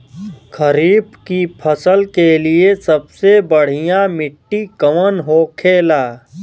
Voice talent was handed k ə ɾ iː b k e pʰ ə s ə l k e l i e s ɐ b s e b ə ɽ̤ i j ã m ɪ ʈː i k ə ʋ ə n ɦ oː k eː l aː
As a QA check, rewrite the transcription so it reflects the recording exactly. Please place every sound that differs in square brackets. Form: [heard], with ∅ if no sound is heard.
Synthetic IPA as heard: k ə ɾ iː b k [i] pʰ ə s ə l k e l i e s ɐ b s e b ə ɽ̤ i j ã m ɪ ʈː i k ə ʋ ə n ɦ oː [kʰ] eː l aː